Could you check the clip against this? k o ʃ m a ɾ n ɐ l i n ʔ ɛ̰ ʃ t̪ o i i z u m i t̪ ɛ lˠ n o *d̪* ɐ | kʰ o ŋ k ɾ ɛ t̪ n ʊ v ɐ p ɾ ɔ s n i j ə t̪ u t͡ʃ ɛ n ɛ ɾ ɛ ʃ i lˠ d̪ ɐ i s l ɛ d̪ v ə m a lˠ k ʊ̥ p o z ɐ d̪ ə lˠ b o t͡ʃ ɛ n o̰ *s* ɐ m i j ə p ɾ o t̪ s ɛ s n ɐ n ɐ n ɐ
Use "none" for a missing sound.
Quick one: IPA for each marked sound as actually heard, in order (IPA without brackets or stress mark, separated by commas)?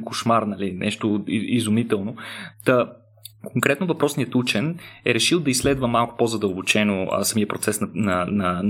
t̪, s